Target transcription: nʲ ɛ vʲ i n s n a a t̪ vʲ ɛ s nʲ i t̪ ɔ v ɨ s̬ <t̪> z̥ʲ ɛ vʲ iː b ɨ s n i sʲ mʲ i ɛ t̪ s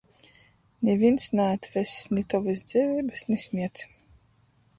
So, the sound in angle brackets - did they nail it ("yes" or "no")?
no